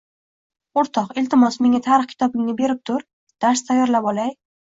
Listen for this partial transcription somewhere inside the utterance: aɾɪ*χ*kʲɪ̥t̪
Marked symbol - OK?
yes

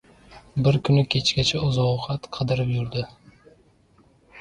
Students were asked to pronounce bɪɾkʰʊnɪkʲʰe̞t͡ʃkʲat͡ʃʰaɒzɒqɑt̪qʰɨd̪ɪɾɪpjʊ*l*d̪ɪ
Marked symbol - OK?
no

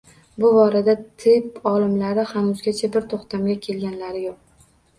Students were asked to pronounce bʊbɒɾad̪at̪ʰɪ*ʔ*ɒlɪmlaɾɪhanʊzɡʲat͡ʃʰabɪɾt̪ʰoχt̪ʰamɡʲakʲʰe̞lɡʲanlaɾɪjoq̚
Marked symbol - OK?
no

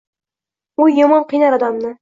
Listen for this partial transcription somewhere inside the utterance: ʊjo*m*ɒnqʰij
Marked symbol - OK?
yes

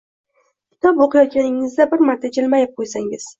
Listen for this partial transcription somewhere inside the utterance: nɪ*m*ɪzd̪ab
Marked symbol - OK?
no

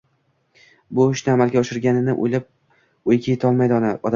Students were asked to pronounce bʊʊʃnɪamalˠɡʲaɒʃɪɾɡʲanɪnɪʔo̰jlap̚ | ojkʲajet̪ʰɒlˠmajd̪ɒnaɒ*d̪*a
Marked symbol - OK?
yes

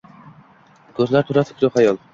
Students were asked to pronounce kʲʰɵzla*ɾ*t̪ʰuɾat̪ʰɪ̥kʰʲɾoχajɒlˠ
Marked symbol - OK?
yes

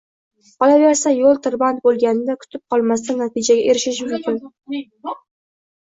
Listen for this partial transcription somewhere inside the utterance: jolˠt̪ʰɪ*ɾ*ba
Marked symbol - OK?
yes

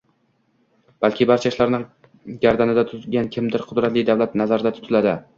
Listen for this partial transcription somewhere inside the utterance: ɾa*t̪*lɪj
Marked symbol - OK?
yes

